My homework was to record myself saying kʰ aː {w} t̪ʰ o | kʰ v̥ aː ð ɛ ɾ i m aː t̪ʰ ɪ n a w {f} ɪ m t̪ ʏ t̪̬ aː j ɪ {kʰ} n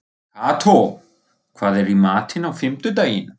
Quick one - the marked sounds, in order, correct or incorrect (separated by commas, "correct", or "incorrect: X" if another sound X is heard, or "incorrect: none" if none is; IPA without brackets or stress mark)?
incorrect: none, correct, incorrect: none